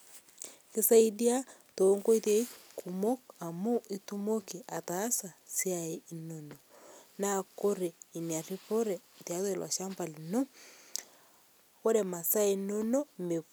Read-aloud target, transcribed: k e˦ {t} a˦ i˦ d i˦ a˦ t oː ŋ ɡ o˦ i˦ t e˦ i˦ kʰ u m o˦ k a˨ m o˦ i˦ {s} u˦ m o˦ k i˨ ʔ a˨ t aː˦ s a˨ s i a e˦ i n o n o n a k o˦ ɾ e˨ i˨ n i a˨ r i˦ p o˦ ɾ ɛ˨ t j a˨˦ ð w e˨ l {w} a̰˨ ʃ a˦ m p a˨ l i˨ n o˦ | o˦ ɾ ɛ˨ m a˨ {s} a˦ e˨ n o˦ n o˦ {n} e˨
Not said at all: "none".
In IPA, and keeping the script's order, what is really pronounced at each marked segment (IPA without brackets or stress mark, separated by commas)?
s, t, w, s, m